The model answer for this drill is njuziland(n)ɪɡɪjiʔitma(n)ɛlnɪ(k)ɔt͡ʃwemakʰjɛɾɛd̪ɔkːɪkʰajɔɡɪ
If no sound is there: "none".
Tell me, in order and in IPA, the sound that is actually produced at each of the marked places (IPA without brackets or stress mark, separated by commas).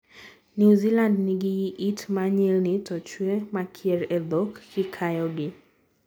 n, ɲ, t